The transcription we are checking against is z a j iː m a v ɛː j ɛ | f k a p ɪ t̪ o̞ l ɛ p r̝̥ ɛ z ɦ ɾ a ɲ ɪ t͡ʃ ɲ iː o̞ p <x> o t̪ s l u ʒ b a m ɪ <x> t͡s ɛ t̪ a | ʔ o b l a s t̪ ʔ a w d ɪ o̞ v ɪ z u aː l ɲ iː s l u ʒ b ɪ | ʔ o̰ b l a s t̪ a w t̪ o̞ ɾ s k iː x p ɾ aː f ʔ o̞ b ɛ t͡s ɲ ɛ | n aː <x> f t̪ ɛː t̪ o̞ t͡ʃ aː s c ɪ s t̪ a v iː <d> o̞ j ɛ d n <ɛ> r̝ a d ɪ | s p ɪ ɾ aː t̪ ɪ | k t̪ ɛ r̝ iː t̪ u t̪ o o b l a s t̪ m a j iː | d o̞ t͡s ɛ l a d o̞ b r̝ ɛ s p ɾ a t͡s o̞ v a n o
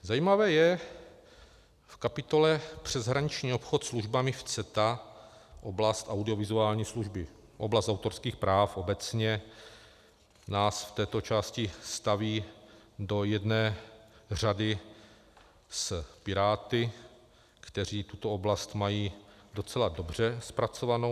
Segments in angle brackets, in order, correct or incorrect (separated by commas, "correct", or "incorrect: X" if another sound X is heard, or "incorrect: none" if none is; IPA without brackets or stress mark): correct, incorrect: f, incorrect: s, correct, incorrect: ɛː